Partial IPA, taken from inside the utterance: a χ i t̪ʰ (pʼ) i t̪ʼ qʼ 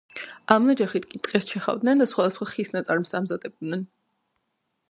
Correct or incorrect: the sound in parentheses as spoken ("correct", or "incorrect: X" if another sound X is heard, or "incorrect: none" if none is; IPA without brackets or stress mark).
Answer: incorrect: kʼ